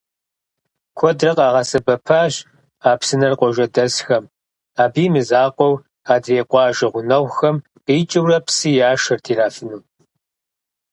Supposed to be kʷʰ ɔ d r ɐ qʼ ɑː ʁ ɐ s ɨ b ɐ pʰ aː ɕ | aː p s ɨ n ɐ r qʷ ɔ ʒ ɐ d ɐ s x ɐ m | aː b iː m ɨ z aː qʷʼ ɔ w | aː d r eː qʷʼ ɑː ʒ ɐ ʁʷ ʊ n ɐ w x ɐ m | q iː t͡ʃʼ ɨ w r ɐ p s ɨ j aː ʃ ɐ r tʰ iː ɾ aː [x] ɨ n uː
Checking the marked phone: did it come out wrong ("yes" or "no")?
yes